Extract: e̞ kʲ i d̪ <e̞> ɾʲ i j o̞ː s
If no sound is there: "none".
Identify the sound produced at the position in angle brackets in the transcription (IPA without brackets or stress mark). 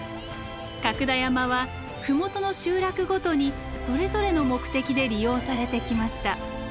e̞